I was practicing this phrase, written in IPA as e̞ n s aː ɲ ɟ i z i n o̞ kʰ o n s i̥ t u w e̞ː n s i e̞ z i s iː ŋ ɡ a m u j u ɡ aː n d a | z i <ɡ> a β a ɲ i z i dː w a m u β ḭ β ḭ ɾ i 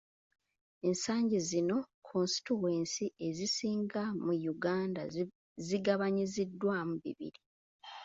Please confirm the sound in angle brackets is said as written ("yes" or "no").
yes